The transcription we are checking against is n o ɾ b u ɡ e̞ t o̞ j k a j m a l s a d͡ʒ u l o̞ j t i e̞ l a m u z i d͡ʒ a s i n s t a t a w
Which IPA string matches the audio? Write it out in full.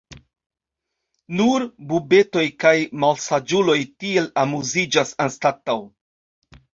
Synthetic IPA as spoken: n u ɾ b u b e̞ t o̞ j k a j m a l s a d͡ʒ u l o̞ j t i e̞ l a m u z i d͡ʒ a s a n s t a t a w